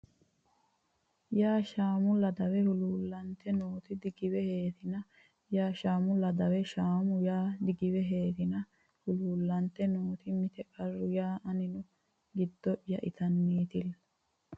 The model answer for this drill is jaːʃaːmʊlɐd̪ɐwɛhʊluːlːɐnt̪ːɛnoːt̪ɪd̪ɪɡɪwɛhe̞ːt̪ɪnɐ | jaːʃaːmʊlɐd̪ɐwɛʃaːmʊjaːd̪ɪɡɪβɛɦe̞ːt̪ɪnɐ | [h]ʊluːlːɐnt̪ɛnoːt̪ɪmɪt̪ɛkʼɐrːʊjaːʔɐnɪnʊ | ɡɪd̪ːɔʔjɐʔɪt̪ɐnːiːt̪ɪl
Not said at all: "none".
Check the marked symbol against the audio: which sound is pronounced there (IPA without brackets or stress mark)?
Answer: h